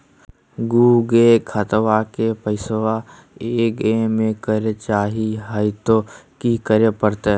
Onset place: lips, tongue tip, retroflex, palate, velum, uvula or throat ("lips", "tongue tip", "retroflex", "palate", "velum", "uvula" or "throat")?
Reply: velum